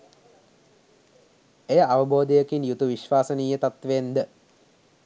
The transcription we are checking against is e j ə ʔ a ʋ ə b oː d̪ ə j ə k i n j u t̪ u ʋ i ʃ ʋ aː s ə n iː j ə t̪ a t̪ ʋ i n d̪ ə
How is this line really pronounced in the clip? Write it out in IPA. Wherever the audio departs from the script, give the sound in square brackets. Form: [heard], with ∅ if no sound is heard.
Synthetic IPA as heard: e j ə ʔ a ʋ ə b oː d̪ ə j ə k i n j u t̪ u ʋ i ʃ ʋ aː s ə n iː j ə t̪ a t̪ ʋ [e] n d̪ ə

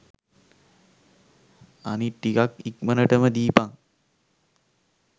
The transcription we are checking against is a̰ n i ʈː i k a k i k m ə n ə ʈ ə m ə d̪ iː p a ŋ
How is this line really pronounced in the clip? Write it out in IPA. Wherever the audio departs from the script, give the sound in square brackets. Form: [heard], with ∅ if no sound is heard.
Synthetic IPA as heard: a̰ n i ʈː i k a k i k m ə n ə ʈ ə m ə d̪ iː p a ŋ

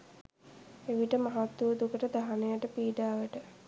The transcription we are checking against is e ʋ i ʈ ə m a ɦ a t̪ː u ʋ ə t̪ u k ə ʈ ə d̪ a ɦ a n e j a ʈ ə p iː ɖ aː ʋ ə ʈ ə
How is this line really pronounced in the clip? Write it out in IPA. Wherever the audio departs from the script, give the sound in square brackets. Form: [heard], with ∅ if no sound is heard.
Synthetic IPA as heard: e ʋ i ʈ ə m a ɦ a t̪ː u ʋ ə [d̪] u k ə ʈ ə d̪ a ɦ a n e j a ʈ ə p iː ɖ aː ʋ ə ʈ ə

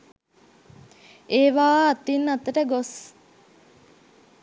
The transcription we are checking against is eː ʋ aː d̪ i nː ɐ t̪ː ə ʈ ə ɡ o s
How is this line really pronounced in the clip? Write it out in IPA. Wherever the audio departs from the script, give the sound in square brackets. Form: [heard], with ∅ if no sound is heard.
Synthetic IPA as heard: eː ʋ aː [t̪] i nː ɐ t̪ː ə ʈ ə ɡ o s

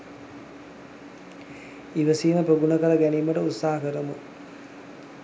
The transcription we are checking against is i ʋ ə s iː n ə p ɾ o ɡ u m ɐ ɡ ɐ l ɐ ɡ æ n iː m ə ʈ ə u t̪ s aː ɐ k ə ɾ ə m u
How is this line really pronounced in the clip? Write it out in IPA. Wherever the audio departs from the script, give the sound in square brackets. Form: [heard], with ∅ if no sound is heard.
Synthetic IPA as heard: i ʋ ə s iː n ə p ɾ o ɡ u [n] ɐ [k] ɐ l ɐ ɡ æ n iː m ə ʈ ə u t̪ s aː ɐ k ə ɾ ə m u

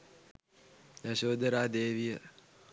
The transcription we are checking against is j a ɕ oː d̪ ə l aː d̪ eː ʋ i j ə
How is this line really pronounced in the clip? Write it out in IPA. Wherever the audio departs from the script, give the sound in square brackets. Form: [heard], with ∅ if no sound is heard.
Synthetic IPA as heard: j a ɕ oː d̪ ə [ɾ] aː d̪ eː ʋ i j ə

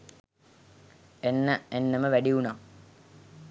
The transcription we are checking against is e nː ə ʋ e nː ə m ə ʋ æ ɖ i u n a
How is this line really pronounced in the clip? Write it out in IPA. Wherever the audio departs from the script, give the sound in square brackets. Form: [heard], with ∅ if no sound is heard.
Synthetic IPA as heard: e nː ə [∅] e nː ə m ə ʋ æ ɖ i u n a

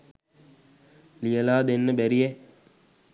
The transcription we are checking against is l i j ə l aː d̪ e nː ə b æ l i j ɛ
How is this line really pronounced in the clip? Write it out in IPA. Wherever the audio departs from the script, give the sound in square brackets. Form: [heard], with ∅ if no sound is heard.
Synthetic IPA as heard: l i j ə l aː d̪ e nː ə b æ [ɾ] i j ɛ

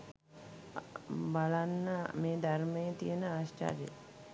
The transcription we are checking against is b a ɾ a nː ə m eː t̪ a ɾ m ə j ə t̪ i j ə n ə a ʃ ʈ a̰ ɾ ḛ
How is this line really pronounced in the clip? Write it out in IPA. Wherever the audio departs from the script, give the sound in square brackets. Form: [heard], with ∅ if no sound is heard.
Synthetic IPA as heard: b a [l] a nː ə m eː [d̪] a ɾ m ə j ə t̪ i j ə n ə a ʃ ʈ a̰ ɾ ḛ

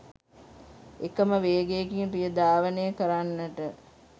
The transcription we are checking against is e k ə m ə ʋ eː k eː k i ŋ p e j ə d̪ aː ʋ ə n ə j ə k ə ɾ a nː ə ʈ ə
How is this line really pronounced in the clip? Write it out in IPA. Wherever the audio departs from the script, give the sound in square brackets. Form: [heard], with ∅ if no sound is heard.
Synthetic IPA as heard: e k ə m ə ʋ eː [ɡ] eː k i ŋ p [i] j ə d̪ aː ʋ ə n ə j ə k ə ɾ a nː ə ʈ ə

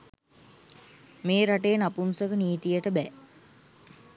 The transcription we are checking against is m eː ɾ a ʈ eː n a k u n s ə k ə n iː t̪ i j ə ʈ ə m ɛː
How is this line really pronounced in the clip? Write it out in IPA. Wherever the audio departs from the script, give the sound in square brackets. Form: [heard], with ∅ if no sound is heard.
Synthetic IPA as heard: m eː ɾ a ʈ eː n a [p] u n s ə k ə n iː t̪ i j ə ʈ ə [b] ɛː

